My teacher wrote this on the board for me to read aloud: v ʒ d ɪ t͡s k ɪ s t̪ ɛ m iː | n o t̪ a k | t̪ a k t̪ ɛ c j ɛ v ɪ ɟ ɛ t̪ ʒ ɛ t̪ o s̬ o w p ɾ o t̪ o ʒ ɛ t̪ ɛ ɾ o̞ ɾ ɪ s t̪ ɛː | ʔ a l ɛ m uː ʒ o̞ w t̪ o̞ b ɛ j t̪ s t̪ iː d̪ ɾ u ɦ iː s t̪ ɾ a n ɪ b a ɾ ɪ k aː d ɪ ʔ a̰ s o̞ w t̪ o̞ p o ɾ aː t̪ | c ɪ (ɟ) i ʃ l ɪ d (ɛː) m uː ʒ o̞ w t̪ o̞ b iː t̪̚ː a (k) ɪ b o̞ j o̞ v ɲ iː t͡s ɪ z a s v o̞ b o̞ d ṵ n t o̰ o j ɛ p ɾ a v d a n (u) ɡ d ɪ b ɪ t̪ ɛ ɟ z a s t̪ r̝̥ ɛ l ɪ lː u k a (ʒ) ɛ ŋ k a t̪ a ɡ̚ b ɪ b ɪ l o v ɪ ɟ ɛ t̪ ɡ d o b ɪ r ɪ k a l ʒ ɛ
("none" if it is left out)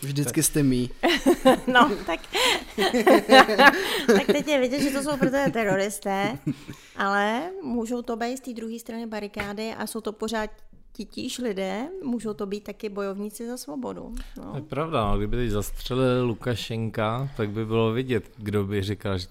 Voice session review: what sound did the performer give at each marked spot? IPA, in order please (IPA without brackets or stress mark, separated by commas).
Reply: c, ɛː, k, o, ʃ